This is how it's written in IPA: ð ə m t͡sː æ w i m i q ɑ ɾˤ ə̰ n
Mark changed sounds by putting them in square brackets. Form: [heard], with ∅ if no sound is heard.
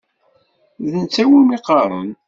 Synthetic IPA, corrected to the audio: ð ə [n] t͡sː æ w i m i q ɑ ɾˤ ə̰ n